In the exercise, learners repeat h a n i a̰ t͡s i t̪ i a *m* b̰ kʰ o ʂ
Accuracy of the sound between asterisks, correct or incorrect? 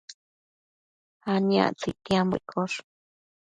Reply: correct